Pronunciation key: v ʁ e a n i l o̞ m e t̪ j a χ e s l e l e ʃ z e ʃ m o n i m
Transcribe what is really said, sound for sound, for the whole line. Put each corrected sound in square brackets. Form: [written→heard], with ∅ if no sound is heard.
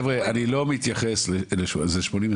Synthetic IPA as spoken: v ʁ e a n i l o̞ m [e→i] t̪ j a χ e s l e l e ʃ z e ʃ m o n i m